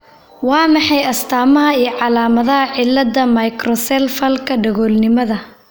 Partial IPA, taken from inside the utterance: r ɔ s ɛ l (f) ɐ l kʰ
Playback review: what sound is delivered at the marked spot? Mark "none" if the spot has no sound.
f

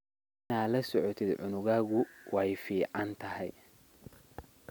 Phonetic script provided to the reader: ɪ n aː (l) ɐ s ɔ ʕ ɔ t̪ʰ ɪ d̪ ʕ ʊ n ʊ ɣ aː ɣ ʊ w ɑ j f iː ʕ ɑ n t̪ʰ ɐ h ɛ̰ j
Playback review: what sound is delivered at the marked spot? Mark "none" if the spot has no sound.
l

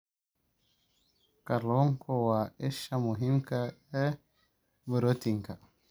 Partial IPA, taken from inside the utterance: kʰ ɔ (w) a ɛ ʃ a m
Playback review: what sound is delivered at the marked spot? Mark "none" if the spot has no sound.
w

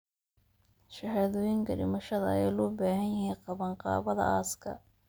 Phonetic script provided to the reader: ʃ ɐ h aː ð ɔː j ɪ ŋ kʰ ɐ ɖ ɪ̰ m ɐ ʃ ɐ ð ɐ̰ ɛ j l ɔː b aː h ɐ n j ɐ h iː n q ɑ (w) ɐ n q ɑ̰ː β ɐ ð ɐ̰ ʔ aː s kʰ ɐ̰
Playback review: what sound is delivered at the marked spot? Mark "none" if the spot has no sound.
β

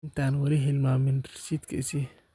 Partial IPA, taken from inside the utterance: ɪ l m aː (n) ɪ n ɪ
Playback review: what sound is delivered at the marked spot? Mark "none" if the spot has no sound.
m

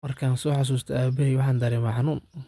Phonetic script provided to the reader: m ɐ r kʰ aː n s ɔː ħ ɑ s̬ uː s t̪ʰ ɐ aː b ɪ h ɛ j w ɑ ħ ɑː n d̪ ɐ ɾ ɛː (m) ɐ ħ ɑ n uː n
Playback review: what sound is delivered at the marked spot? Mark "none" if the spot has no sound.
m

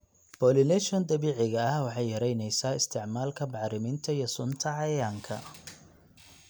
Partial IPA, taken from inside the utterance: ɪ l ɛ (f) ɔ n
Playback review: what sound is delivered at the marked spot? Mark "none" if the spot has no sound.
ʃ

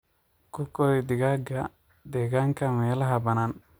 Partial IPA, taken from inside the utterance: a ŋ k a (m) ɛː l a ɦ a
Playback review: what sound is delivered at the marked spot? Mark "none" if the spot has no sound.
m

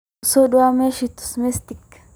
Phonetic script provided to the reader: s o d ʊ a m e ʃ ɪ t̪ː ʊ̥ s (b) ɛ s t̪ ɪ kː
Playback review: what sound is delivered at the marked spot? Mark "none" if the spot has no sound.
m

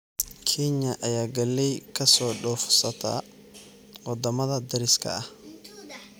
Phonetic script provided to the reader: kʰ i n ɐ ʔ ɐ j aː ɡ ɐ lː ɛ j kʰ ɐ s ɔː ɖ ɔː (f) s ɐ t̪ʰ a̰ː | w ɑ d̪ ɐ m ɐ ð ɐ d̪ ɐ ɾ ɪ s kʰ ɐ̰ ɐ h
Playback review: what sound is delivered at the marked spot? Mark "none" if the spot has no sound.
f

